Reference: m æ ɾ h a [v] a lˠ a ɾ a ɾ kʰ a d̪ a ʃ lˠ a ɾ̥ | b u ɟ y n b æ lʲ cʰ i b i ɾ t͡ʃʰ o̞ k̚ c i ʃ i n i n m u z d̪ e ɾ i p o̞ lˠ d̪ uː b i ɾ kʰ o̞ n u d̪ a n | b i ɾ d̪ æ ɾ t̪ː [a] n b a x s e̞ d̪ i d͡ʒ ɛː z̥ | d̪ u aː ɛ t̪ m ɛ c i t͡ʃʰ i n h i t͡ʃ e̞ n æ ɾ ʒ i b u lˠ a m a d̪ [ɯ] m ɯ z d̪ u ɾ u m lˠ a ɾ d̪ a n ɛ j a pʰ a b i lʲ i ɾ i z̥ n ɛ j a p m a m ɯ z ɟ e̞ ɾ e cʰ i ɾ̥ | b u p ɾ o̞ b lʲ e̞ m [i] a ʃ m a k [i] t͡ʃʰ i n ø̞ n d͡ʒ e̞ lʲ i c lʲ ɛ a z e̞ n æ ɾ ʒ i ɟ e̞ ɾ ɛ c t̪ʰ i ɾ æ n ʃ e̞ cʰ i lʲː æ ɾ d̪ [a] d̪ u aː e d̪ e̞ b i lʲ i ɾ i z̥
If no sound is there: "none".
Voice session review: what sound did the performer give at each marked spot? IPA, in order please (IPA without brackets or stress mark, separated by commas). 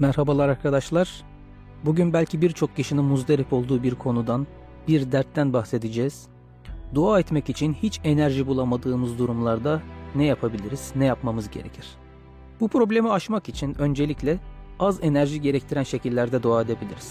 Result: b, æ, ɯː, i, i, ɛ